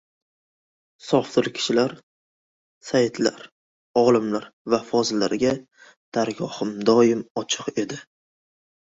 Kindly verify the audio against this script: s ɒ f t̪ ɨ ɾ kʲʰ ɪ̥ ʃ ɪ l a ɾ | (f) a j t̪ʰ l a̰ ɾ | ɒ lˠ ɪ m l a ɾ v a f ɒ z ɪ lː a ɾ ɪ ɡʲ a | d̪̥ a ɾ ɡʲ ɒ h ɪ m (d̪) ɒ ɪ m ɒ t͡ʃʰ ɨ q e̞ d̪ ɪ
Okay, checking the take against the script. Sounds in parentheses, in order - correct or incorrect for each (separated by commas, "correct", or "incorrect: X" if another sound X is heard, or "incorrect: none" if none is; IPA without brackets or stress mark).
incorrect: s, correct